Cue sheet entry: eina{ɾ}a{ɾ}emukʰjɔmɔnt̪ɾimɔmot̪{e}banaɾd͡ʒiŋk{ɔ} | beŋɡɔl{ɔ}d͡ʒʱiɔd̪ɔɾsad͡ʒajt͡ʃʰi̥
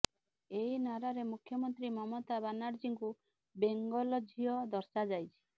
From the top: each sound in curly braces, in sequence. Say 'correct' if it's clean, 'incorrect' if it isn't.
correct, correct, incorrect, incorrect, correct

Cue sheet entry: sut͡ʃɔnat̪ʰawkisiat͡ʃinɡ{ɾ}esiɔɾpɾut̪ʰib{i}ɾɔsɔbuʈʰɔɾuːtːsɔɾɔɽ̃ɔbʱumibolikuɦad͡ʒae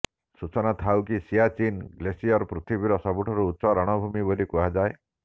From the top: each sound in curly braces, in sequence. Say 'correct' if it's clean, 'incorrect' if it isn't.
incorrect, correct

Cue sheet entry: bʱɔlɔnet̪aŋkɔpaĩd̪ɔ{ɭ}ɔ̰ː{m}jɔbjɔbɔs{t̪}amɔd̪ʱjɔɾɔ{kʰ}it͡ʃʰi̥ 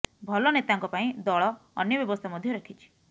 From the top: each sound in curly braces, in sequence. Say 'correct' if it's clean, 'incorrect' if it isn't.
correct, incorrect, incorrect, correct

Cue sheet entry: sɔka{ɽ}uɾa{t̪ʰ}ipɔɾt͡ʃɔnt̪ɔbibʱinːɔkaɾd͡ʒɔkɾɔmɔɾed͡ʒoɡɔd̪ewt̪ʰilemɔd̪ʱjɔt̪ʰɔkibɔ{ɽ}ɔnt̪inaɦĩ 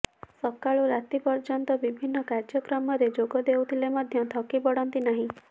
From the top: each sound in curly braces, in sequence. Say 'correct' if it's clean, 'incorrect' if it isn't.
incorrect, incorrect, correct

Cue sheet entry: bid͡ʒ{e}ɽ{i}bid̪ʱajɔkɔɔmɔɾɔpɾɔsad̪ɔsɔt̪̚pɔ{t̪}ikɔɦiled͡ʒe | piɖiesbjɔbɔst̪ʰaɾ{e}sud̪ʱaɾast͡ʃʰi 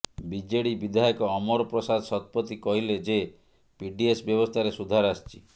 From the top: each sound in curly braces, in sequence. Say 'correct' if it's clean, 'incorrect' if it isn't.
correct, correct, correct, correct

